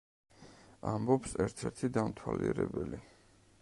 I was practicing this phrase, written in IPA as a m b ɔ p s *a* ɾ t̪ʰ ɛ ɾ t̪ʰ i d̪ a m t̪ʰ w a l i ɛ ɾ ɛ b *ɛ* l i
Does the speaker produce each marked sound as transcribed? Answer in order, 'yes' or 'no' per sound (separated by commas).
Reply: no, yes